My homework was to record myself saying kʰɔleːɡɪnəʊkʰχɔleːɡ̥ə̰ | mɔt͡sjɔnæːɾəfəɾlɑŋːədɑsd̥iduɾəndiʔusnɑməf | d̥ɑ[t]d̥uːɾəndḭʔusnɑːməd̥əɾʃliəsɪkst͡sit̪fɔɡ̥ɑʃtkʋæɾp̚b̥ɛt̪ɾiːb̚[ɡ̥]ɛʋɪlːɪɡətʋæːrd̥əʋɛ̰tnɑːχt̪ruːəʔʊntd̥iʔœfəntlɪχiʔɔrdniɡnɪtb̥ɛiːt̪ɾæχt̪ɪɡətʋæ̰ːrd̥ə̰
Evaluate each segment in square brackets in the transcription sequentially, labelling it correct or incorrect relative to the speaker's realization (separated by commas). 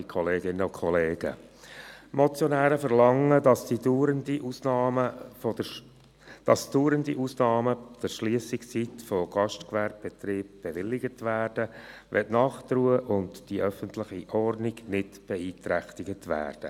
incorrect, incorrect